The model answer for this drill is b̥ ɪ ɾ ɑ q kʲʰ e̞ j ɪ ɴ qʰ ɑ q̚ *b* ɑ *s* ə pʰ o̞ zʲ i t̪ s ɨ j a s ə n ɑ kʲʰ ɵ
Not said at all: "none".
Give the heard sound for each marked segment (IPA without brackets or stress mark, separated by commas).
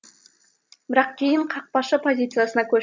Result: p, ʃ